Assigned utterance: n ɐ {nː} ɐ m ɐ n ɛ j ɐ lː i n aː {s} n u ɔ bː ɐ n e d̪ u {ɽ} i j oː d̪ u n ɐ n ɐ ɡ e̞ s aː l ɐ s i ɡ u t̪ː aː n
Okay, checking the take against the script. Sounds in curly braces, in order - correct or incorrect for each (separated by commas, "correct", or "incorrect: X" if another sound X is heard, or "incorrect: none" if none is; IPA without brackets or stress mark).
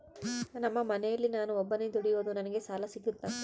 incorrect: mː, incorrect: none, correct